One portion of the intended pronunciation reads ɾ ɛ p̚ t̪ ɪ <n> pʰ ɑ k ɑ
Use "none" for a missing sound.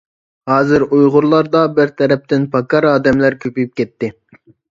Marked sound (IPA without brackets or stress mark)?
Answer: n